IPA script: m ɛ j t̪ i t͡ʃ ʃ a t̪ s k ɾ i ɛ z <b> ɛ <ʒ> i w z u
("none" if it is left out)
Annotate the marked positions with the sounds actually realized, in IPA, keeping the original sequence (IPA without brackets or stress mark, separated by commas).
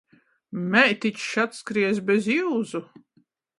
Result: b, z